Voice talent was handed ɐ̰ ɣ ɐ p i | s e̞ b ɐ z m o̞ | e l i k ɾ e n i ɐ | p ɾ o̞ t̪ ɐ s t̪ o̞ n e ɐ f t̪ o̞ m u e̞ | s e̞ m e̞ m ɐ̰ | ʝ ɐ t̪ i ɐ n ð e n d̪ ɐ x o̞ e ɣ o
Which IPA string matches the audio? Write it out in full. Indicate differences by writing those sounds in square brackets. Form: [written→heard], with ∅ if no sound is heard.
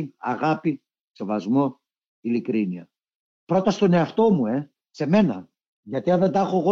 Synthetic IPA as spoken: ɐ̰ ɣ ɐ p i | s e̞ [b→v] ɐ z m o̞ | [e→i] l i k ɾ [e→i] n i ɐ | p ɾ o̞ t̪ ɐ s t̪ o̞ n e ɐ f t̪ o̞ m u e̞ | s e̞ m e̞ [m→n] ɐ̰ | ʝ ɐ t̪ i ɐ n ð e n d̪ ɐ x o̞ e ɣ o